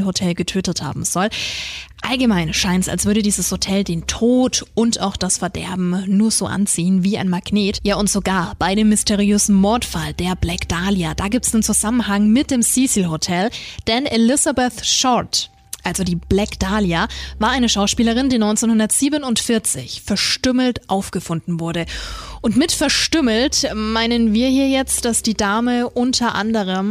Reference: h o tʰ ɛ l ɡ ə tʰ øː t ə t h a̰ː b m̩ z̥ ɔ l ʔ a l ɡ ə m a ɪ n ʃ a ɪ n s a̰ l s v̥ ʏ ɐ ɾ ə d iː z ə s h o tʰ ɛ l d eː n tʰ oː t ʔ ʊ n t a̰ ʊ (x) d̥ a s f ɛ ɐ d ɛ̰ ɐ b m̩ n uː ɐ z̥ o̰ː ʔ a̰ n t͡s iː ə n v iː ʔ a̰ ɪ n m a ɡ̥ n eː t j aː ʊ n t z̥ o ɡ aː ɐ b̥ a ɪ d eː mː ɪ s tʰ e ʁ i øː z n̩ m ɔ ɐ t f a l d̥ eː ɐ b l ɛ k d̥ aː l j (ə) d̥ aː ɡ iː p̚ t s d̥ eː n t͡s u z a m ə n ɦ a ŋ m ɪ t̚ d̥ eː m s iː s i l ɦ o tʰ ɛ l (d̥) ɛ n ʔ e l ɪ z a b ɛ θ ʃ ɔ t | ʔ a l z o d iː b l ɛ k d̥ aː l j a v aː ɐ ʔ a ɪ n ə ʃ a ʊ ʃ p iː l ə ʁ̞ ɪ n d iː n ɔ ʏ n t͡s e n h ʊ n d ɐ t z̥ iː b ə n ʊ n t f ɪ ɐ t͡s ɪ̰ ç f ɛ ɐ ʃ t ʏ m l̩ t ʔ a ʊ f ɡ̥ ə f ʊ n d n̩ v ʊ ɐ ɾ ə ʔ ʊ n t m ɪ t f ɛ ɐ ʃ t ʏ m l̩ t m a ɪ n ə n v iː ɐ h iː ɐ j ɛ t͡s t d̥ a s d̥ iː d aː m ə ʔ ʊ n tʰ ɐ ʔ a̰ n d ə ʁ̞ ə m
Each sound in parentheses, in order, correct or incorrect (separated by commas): correct, incorrect, correct